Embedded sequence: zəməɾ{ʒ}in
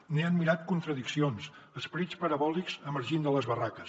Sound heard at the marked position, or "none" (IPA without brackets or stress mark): ʒ